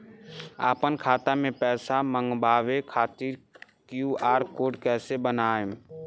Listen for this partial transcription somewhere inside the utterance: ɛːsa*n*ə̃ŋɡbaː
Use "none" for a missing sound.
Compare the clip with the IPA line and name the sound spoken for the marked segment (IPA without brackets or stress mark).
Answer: m